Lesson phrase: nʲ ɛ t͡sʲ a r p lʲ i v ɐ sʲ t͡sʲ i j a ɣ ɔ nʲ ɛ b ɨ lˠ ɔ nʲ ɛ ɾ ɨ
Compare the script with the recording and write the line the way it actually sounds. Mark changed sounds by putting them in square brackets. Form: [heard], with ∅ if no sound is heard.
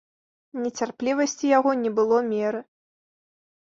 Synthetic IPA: nʲ ɛ t͡sʲ a r p lʲ i v ɐ sʲ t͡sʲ i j a ɣ ɔ nʲ ɛ b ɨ lˠ ɔ [mʲ] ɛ ɾ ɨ